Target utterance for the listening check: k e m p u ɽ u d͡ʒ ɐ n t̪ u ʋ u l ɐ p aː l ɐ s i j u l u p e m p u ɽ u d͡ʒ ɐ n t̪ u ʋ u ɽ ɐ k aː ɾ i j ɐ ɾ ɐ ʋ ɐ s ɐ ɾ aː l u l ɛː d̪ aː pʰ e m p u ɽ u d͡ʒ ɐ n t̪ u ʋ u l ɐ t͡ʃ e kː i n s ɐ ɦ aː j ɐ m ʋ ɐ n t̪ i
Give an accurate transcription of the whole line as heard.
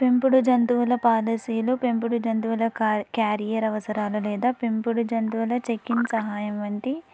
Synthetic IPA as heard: p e m p u ɽ u d͡ʒ ɐ n t̪ u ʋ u l ɐ p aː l ɐ s i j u l u p e m p u ɽ u d͡ʒ ɐ n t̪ u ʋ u l ɐ k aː ɾ i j ɐ ɾ ɐ ʋ ɐ s ɐ ɾ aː l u l ɛː d̪ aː p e m p u ɽ u d͡ʒ ɐ n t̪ u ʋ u l ɐ t͡ʃ e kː i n s ɐ ɦ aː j ɐ m ʋ ɐ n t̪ i